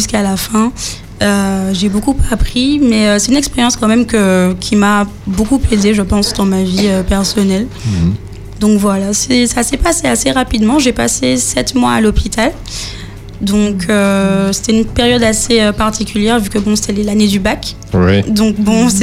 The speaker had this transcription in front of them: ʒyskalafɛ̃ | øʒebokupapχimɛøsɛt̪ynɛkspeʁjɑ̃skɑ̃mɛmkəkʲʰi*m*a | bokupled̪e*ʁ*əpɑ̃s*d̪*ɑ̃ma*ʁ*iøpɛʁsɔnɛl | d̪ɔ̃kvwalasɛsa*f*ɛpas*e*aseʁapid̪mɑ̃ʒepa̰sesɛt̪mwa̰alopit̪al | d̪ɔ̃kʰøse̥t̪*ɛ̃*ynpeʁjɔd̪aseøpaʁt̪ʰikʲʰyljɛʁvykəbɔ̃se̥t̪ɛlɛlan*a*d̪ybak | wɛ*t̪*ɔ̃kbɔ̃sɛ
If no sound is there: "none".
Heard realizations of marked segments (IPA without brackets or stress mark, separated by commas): m, ʒ, d̪, v, s, e, ɛ, e, d̪